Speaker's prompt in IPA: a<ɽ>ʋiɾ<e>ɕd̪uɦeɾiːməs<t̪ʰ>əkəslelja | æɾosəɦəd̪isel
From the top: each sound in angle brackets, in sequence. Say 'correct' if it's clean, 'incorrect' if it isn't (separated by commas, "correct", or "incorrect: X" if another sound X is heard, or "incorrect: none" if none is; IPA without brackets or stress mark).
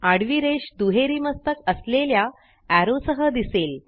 correct, correct, incorrect: t̪